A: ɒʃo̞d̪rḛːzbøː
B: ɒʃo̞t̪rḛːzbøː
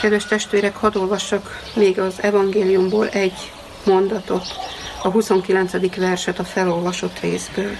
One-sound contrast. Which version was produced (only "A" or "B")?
B